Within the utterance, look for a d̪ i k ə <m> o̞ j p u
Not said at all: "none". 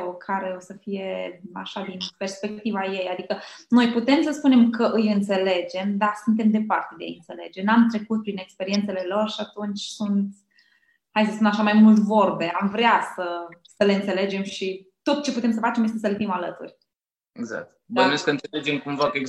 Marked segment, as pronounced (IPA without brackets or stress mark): n